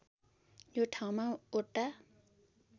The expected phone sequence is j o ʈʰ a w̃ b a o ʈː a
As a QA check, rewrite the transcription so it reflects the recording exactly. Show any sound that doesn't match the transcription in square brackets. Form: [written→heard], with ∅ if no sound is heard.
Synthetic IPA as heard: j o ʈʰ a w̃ [b→m] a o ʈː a